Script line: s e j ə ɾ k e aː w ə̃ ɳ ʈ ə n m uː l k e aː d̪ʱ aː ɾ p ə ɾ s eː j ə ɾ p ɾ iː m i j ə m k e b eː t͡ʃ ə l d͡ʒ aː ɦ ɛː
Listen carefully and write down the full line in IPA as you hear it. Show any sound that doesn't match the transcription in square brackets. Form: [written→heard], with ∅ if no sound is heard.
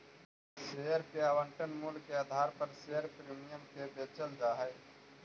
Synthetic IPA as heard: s e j ə ɾ k e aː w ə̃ ɳ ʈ ə n m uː l k e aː d̪ʱ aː ɾ p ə ɾ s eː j ə ɾ p ɾ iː m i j ə m k e b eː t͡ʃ ə l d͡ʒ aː ɦ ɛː